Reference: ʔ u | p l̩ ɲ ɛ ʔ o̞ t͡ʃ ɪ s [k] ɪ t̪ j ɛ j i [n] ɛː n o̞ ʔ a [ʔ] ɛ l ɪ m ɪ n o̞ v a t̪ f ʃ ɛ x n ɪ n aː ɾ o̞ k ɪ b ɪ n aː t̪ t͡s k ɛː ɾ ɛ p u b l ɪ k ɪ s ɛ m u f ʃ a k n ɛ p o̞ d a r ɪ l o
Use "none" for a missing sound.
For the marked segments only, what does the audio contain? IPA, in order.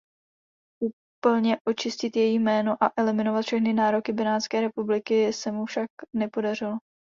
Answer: c, m, ʔ

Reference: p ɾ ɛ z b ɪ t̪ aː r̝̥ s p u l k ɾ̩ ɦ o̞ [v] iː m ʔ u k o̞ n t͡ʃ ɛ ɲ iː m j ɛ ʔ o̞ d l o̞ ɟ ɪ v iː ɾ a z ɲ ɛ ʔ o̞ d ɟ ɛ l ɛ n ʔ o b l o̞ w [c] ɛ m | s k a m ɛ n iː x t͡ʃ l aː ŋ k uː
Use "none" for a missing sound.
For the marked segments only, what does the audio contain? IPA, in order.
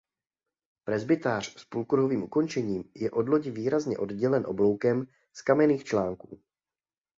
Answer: v, k

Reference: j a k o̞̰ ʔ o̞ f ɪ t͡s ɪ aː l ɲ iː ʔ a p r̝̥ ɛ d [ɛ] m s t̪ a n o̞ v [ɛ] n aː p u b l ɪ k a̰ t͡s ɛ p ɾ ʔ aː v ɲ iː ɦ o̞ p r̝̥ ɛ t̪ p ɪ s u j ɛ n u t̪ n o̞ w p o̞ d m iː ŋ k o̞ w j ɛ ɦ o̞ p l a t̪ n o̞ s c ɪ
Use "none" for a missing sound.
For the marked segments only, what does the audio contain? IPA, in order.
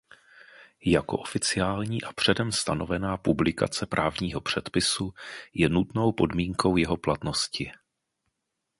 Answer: ɛ, ɛ

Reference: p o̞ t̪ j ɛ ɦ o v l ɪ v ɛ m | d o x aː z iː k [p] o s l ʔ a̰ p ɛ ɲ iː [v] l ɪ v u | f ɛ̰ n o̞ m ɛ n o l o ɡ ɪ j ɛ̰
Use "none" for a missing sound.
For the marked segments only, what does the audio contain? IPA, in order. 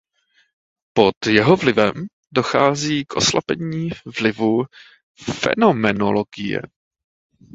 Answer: ʔ, v

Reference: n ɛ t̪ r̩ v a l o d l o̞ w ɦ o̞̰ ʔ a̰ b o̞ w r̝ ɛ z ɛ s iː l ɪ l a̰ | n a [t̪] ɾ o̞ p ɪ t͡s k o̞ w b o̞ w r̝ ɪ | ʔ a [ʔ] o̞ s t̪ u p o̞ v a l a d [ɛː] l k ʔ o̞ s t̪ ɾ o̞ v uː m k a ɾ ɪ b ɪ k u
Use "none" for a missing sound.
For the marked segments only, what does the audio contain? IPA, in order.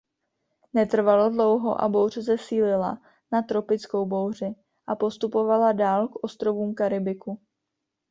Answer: t̪, p, aː

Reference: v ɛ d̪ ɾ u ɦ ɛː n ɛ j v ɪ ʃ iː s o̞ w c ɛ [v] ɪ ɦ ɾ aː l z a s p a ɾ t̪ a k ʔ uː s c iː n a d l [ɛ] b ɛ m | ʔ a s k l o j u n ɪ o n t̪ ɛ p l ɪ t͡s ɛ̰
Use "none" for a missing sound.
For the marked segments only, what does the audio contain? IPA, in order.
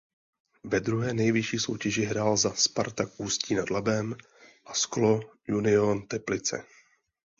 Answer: ʒ, a

